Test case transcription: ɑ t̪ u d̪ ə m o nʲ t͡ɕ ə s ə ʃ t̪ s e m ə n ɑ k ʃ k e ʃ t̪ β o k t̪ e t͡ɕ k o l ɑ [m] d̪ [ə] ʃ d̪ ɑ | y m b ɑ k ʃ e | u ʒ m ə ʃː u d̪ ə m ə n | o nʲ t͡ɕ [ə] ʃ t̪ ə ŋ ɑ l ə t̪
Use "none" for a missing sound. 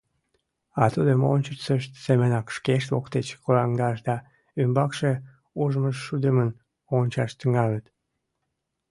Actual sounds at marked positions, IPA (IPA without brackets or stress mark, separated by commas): ŋ, ɑ, ɑ